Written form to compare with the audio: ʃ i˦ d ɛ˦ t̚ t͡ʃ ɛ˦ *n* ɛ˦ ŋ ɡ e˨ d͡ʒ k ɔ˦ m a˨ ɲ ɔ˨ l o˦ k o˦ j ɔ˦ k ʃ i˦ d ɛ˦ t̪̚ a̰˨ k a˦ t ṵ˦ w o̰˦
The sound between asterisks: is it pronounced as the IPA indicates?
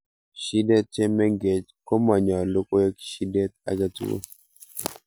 no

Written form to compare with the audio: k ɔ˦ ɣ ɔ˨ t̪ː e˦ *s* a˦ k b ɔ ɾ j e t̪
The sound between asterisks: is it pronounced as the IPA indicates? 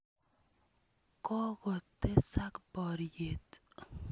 yes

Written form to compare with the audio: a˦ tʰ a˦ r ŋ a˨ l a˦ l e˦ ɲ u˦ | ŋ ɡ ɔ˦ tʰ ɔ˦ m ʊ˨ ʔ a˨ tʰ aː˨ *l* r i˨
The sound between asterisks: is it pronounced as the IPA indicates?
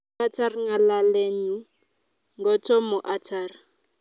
no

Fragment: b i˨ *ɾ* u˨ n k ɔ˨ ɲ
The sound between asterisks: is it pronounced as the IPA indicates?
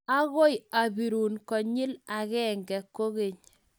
yes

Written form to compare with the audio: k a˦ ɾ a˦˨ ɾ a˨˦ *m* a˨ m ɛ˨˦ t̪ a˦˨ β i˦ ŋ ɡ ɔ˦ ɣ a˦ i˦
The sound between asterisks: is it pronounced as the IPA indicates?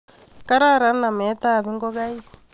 no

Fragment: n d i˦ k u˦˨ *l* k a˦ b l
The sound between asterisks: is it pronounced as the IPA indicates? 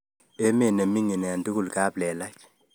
yes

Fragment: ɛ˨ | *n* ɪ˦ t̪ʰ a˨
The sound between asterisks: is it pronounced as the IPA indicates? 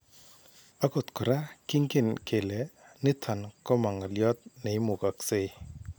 yes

